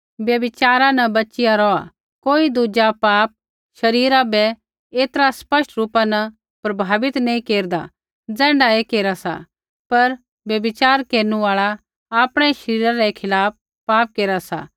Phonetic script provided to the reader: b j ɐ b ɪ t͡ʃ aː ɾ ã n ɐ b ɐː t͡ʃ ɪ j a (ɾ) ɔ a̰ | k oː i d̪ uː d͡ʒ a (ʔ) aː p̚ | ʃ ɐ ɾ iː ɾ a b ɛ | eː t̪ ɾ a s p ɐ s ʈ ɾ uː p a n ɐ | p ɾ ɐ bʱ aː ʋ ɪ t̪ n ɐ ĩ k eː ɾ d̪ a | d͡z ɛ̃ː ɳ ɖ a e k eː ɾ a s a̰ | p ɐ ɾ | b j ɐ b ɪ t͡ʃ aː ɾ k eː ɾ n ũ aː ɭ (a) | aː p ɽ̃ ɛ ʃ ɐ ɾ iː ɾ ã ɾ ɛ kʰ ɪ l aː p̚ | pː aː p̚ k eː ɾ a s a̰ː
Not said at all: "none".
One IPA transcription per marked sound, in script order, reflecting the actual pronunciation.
ɾ, p, a

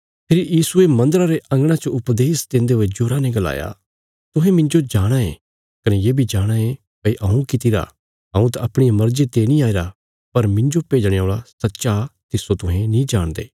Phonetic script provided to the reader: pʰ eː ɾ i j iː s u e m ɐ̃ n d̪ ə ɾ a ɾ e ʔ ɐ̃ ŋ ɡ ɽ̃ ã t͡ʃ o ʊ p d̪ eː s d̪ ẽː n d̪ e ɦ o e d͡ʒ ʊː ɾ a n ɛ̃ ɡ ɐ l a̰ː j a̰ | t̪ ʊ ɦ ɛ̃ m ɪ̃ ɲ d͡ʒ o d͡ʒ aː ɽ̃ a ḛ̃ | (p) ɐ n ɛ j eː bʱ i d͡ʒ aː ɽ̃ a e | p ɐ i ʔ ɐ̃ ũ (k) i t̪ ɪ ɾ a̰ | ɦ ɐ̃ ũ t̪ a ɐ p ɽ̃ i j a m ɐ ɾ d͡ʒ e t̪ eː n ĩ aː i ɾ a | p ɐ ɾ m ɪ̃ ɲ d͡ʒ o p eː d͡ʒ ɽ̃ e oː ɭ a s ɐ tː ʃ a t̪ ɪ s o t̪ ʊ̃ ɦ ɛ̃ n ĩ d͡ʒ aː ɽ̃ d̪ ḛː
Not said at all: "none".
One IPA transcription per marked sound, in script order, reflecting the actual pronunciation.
k, k

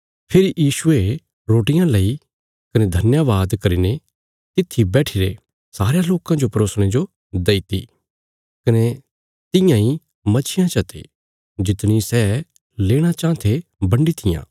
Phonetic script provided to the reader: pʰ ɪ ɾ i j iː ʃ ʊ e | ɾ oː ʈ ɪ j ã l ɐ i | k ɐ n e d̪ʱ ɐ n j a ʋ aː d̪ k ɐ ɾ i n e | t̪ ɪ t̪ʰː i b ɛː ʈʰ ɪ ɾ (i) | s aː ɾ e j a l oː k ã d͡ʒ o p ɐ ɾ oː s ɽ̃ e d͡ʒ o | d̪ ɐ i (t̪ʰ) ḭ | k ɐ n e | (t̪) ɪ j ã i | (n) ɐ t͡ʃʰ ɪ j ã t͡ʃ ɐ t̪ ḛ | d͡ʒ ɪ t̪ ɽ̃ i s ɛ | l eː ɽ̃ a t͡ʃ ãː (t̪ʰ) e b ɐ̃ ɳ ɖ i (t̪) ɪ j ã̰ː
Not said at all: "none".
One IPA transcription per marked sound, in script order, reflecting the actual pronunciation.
e, t̪, t̪, m, t̪ʰ, t̪ʰ

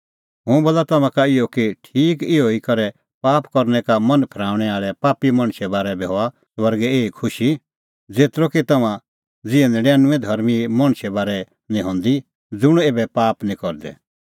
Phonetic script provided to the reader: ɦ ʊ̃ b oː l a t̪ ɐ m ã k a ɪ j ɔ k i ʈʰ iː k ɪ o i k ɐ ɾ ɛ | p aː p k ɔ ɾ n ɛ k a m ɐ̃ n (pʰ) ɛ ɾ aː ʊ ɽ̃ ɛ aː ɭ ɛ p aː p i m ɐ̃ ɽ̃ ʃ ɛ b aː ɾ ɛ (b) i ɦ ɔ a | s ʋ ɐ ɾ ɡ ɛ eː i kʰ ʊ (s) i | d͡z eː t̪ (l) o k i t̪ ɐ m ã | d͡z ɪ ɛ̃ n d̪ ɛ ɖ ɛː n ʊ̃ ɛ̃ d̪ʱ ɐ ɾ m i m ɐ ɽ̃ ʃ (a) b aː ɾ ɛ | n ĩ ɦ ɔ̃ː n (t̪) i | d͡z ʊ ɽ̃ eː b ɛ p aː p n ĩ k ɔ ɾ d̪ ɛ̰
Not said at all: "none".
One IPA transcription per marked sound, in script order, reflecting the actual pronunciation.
pʰ, b, ʃ, ɾ, ɛ, d̪

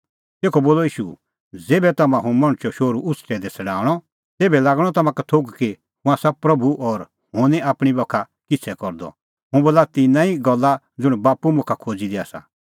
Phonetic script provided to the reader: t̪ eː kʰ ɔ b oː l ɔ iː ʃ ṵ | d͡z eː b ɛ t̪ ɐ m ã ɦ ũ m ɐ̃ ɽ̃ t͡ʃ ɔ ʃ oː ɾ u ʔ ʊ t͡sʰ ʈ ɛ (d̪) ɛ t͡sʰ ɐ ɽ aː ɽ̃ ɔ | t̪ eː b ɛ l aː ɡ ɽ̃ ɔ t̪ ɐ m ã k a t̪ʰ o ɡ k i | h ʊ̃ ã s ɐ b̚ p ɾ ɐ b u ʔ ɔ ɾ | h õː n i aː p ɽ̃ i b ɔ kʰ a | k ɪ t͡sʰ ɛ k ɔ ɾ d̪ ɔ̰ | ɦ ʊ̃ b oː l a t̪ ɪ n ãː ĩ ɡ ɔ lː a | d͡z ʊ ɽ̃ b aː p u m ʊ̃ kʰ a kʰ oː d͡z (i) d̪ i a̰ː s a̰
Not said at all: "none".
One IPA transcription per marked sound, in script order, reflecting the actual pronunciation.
d̪, i

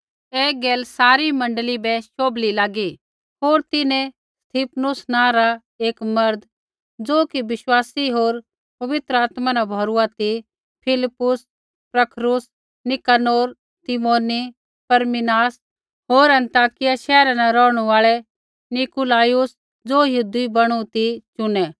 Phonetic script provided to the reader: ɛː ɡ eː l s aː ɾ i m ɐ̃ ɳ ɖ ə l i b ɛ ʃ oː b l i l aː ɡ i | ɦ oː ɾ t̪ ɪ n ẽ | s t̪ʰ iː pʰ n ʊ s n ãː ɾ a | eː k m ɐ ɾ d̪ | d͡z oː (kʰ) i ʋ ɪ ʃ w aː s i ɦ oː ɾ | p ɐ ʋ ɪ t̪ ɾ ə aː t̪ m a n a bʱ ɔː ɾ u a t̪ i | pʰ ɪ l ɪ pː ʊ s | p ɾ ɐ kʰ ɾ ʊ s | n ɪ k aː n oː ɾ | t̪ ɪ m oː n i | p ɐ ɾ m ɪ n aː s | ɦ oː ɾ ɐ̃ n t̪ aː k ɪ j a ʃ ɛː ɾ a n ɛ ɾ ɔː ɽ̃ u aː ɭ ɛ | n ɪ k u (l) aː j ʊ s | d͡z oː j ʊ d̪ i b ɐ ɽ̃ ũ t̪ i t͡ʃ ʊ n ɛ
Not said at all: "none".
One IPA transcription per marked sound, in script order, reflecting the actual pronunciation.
k, l

